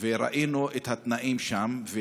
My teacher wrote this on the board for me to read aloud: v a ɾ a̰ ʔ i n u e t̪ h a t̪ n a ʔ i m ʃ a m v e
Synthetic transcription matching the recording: v e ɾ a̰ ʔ i n u e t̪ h a t̪ n a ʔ i m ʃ a m v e